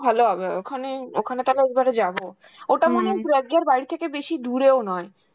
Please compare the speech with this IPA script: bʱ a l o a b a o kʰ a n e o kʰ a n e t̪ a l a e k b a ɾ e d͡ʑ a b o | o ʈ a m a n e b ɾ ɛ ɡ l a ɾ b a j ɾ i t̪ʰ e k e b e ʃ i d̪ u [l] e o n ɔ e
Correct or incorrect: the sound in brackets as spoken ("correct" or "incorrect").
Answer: incorrect